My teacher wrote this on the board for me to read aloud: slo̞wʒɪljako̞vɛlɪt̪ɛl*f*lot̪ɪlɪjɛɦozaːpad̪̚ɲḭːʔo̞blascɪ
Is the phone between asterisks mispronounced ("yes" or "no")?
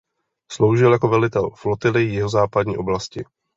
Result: no